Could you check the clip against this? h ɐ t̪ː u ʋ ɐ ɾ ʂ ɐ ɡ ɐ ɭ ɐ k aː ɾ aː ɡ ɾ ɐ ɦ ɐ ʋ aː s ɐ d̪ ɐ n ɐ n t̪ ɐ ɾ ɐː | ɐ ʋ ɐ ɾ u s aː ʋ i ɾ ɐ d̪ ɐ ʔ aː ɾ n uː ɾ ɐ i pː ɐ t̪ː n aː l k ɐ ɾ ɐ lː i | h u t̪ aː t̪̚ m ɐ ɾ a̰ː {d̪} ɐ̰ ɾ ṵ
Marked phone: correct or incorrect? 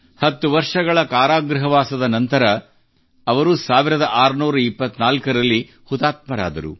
correct